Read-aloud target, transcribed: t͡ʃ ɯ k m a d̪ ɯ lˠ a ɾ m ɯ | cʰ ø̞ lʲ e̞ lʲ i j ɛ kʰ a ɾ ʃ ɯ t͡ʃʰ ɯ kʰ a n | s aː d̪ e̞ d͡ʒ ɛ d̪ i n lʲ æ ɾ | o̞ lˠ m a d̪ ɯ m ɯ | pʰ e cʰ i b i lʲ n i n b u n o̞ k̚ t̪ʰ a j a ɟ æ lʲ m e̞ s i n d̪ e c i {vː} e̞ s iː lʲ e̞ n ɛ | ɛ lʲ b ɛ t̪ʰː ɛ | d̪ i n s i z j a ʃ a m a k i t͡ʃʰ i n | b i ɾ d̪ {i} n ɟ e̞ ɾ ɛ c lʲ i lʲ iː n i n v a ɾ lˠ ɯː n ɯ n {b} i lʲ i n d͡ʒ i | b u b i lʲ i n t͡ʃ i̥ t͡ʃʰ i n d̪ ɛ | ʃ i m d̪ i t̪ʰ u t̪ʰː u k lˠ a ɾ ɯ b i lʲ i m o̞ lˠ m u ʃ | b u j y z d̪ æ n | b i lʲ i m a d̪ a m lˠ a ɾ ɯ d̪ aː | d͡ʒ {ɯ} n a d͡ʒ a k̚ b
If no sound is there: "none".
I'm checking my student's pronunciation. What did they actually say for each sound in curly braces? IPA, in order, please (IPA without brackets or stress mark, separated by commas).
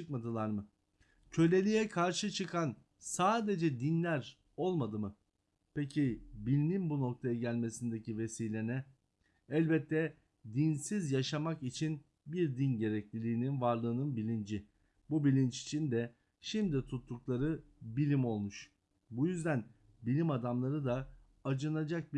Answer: v, i, b, ɯ